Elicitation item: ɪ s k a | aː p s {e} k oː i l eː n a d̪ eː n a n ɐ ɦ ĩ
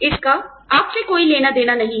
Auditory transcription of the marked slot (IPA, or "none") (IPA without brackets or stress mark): e